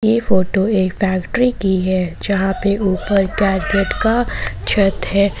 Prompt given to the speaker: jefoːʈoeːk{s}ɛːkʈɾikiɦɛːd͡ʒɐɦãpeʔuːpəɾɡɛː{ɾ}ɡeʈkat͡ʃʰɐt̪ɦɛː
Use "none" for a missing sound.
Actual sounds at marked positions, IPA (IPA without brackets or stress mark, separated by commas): f, ɾ